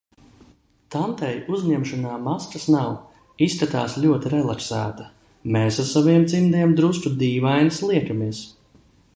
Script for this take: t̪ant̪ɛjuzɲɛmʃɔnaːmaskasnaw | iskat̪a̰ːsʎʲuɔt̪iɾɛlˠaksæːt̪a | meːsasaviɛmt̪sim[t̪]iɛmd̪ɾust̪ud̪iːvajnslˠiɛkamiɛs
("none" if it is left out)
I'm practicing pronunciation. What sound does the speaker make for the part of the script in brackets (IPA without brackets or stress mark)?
d̪